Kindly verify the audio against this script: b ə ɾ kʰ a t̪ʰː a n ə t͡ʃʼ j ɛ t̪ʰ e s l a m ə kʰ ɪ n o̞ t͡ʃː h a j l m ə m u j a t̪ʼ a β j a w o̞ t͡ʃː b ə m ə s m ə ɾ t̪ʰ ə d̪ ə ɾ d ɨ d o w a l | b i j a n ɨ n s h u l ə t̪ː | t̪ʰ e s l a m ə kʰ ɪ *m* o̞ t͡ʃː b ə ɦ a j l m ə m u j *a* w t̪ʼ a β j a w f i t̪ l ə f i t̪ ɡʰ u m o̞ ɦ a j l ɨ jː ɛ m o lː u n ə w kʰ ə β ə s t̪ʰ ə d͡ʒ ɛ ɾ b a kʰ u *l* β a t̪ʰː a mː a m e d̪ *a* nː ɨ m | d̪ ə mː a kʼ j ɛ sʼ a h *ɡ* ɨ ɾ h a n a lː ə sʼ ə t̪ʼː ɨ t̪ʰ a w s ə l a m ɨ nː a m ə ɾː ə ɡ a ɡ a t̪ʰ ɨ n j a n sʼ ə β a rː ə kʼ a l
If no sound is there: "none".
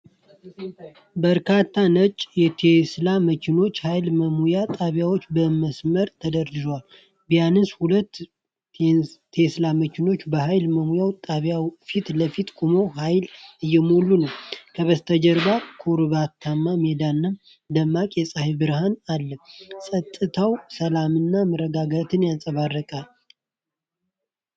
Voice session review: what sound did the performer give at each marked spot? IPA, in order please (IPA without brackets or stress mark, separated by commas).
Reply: n, a, ɾ, a, b